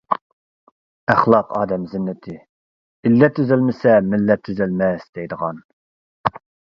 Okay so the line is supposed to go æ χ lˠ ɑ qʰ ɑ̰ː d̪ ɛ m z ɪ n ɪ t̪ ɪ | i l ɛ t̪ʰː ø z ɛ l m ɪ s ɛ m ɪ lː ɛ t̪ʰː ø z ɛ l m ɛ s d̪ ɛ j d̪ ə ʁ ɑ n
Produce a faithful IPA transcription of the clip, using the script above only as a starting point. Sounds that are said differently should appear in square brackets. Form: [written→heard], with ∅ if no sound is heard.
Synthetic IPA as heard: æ χ lˠ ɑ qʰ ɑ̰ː d̪ ɛ m z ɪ [n→nː] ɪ [t̪→t̪ʰ] ɪ | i [l→lː] ɛ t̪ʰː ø z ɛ l m ɪ s ɛ m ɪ lː ɛ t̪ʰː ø z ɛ l m ɛ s d̪ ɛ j d̪ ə ʁ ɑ n